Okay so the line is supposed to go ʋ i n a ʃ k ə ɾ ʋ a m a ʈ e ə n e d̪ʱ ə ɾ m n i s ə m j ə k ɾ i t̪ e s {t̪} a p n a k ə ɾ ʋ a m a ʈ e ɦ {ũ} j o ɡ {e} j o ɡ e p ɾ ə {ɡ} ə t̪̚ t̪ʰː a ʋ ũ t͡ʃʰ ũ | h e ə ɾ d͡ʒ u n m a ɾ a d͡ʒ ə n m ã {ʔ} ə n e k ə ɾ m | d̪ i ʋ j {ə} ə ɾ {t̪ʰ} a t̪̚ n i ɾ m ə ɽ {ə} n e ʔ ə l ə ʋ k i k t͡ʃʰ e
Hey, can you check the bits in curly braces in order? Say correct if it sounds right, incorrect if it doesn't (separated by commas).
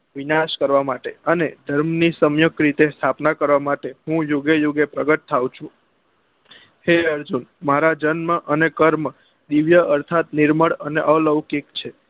incorrect, correct, correct, correct, correct, correct, correct, correct